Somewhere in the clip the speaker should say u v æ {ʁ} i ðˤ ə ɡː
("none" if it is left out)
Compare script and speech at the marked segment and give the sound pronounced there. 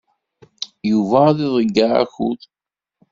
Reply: ð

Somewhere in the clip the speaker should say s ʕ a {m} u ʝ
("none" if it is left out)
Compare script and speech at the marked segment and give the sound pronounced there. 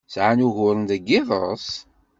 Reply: n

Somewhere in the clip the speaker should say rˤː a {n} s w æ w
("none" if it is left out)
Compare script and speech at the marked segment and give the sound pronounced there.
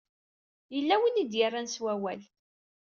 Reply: n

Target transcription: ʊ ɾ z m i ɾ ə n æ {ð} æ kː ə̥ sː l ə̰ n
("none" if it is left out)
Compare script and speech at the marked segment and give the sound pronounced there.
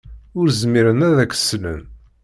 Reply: ð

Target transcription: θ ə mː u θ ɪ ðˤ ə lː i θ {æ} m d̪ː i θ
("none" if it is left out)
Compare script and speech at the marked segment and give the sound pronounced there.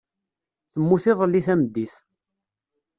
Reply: æ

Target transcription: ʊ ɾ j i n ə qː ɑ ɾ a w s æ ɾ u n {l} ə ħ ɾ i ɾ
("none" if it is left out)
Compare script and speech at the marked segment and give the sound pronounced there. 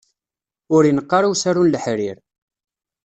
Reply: l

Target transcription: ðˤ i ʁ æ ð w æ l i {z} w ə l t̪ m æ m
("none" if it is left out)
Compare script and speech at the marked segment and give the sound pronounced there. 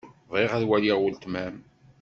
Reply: ʁ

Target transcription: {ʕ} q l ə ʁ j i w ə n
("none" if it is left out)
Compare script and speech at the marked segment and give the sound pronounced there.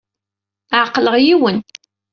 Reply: ʕ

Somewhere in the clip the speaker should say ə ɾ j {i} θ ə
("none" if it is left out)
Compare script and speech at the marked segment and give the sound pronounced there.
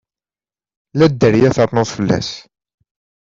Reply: æ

